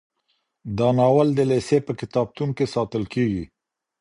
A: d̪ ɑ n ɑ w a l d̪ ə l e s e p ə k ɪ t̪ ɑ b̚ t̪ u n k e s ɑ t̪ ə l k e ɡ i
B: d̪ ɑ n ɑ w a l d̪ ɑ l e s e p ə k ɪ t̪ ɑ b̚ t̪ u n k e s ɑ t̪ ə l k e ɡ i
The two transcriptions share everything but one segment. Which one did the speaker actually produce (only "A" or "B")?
A